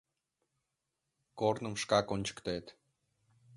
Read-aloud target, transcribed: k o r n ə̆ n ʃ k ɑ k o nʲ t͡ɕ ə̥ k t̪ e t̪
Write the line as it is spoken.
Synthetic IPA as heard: k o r n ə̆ m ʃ k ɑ k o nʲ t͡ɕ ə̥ k t̪ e t̪